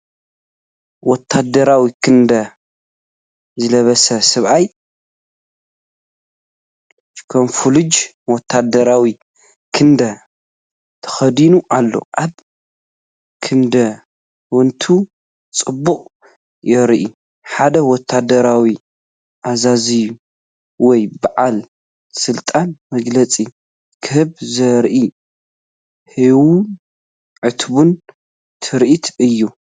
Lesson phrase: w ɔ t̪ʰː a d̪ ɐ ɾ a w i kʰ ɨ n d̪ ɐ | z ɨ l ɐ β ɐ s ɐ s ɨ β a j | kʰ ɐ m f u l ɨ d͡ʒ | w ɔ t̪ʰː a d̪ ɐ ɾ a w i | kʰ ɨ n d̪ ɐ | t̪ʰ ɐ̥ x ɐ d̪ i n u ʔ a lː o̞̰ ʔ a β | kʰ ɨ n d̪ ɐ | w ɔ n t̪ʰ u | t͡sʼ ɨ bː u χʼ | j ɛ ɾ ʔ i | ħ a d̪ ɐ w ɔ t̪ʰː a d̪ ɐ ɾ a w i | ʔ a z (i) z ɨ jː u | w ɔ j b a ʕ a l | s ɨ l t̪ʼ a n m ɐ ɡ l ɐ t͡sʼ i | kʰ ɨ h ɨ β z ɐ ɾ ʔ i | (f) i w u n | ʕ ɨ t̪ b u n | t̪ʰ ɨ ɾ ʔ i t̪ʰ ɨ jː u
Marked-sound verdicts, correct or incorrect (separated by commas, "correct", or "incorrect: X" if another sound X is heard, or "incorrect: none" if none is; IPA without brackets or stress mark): incorrect: a, incorrect: h